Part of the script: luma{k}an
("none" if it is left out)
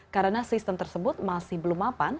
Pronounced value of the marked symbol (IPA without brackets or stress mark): p